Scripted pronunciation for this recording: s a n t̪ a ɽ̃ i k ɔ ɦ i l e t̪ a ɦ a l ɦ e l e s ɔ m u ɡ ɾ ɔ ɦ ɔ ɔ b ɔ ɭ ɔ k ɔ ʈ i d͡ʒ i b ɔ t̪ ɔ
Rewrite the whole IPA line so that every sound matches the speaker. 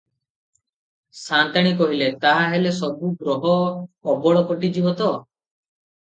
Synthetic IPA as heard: s a n t̪ a ɽ̃ i k ɔ ɦ i l e t̪ a ɦ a ɦ e l e s ɔ b u ɡ ɾ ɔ ɦ ɔ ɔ b ɔ ɭ ɔ k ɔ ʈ i d͡ʒ i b ɔ t̪ ɔ